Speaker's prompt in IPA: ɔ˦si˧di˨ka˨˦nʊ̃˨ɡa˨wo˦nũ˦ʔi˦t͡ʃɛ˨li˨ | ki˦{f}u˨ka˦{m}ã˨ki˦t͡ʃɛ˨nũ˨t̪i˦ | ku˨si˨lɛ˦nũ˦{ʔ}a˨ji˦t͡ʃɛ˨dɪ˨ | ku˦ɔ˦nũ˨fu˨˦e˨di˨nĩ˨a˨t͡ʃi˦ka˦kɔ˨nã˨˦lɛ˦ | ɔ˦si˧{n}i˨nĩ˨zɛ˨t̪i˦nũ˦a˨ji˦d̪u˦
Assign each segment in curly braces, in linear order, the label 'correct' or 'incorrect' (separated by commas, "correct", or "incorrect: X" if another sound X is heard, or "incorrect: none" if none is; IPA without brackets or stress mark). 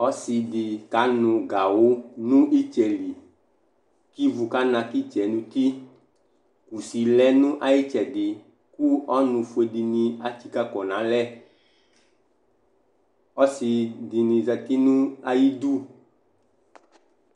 incorrect: v, incorrect: n, correct, incorrect: d